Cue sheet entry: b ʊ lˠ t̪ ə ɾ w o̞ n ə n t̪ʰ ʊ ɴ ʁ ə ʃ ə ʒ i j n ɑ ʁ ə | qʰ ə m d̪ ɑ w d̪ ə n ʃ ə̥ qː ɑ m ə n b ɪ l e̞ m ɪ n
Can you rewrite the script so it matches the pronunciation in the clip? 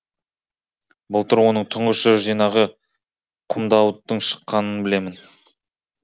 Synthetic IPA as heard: b ʊ lˠ t̪ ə ɾ w o̞ n ə ɴ t̪ʰ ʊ ɴ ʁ ə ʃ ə ʒ i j n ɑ ʁ ə | qʰ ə m d̪ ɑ w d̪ ə ɴ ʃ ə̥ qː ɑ n ə n b ɪ l e̞ m ɪ n